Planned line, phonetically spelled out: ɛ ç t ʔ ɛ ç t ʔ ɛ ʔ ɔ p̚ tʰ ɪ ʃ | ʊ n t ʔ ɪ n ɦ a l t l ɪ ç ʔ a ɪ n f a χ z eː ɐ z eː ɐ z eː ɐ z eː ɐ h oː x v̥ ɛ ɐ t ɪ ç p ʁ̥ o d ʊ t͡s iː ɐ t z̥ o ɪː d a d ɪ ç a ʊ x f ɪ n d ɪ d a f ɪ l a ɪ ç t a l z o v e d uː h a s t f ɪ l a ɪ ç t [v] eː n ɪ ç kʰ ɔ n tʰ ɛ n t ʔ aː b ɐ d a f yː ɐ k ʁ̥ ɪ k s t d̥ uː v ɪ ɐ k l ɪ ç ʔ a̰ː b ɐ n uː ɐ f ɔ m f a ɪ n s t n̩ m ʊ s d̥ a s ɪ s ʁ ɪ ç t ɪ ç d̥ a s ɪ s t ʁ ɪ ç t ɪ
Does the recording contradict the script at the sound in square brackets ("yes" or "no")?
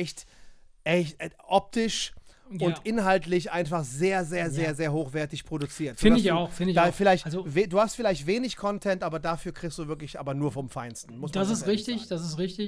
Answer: no